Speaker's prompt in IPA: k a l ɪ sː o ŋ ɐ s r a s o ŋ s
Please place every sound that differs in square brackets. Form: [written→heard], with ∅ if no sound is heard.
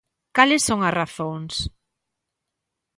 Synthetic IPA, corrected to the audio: k a l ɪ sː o ŋ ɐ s r a [s→θ] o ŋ s